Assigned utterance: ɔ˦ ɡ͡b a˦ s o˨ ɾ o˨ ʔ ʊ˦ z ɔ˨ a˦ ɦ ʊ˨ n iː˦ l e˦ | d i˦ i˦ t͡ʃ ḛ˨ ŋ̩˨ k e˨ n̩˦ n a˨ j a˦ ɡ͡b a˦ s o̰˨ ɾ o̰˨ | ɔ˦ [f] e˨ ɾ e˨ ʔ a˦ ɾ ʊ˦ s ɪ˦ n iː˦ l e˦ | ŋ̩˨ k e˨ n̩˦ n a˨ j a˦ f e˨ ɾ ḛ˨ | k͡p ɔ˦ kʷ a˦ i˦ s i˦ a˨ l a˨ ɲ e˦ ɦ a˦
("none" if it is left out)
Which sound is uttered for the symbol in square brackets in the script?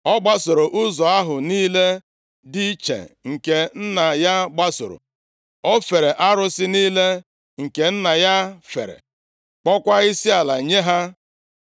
f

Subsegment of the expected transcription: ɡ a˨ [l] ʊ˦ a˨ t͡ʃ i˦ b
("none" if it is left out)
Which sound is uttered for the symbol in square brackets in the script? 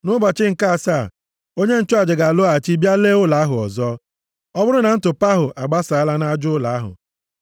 l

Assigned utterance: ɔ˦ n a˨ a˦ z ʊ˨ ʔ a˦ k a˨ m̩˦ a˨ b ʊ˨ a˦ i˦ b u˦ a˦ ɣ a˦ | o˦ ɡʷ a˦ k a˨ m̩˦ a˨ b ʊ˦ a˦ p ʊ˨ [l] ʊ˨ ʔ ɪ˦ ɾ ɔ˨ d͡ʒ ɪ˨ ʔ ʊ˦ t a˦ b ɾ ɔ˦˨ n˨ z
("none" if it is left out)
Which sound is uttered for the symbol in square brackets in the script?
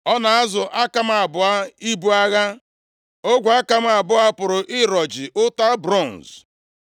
ɾ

